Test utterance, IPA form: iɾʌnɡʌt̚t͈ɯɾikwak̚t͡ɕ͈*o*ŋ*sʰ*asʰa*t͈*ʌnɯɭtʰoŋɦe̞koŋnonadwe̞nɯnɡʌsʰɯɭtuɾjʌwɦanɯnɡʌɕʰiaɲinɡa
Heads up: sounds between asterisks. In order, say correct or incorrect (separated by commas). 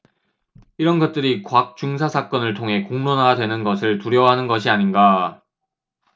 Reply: incorrect, correct, incorrect